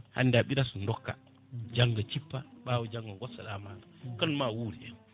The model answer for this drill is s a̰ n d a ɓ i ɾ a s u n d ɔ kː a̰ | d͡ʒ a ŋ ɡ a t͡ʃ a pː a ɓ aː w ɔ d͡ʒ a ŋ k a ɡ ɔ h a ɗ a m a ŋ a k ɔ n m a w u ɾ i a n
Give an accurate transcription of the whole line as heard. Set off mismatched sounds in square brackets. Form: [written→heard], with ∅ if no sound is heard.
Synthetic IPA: [s→h] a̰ n d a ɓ i ɾ a s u n d ɔ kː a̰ | d͡ʒ a ŋ ɡ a t͡ʃ [a→i] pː a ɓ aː w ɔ d͡ʒ a ŋ [k→ɡ] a ɡ ɔ [h→s] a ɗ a m a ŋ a k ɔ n m a w u ɾ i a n